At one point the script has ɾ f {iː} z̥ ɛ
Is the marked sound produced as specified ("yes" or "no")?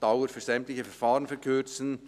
no